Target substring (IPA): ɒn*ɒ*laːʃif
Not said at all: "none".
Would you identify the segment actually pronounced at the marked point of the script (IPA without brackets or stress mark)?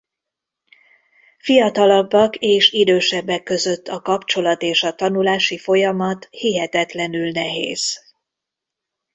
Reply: u